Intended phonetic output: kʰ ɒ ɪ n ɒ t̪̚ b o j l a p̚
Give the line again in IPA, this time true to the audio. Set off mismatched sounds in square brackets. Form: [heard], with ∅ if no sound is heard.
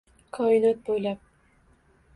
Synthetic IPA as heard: kʰ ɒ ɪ n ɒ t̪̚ b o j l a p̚